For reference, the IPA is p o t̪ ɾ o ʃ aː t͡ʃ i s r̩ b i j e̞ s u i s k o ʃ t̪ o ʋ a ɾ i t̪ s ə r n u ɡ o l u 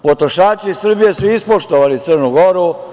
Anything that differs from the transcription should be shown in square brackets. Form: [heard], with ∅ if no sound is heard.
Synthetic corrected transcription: p o t̪ ɾ o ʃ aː t͡ʃ i s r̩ b i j e̞ s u i s [p] o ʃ t̪ o ʋ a [l] i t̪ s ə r n u ɡ o [ɾ] u